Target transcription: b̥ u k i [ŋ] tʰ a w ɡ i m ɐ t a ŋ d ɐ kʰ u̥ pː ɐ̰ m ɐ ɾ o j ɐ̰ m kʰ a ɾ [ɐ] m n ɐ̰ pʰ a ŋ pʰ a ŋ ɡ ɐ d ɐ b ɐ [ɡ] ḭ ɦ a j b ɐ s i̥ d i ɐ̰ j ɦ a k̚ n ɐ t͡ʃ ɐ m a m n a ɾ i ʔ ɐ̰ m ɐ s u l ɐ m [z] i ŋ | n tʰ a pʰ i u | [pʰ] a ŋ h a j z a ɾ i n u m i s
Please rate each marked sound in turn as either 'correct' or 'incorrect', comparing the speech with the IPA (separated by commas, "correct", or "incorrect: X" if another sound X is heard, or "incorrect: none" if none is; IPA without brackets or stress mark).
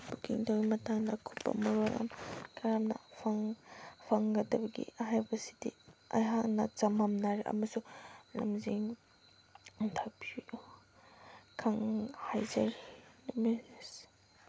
correct, incorrect: a, correct, correct, incorrect: kʰ